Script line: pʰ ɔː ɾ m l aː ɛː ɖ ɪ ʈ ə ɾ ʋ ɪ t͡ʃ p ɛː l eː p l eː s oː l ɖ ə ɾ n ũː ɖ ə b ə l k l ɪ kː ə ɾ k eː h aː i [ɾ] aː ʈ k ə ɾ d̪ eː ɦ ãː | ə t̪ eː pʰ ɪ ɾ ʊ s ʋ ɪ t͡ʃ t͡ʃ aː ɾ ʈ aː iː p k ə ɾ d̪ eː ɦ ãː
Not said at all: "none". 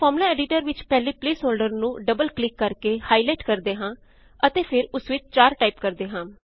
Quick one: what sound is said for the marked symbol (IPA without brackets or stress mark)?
l